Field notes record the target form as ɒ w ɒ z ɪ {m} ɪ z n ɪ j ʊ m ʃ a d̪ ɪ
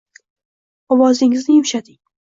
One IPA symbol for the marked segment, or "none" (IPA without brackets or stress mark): ŋ